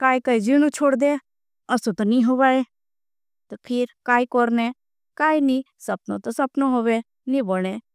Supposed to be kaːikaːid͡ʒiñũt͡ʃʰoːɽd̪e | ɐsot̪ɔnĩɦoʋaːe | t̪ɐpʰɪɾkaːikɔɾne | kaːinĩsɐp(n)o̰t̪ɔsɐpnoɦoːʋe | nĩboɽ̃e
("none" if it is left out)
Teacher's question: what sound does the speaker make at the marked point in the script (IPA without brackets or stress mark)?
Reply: n